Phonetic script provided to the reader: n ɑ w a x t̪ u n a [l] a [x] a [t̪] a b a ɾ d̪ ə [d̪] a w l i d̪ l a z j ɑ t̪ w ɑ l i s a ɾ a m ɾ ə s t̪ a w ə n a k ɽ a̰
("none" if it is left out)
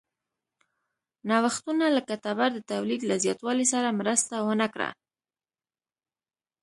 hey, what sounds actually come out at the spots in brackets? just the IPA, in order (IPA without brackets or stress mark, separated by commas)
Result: l, k, t̪, t̪